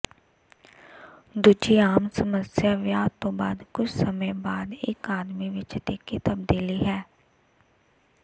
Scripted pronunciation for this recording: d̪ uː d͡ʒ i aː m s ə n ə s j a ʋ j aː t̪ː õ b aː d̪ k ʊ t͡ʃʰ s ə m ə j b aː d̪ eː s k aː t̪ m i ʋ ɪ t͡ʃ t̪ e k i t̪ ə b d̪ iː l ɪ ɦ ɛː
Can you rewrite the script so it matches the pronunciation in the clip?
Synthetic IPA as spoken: d̪ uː d͡ʒ i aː m s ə m ə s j a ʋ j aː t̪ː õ b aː d̪ k ʊ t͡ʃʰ s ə m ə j b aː d̪ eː k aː d̪ m i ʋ ɪ t͡ʃ t̪ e k i t̪ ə b d̪ iː l i ɦ ɛː